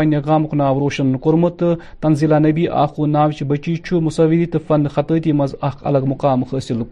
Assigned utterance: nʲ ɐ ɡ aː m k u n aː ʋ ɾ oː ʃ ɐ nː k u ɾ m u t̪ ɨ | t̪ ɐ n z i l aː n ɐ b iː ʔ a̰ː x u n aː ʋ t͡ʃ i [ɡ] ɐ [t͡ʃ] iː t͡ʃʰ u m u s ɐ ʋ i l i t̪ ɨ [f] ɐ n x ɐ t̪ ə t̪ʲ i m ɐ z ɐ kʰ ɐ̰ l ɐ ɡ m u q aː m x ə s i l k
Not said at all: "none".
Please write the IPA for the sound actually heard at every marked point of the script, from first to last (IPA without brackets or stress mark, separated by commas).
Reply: b, t͡ʃ, f